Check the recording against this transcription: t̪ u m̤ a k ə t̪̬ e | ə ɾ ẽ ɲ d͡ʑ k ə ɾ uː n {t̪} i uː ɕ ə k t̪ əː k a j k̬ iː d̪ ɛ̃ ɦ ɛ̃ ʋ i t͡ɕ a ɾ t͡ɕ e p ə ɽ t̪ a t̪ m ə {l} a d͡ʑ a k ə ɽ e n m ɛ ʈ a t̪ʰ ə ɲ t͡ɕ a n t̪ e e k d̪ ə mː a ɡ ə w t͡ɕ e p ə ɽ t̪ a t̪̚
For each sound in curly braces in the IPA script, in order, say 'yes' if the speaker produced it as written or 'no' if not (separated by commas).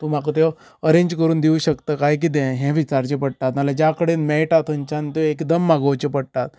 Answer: no, yes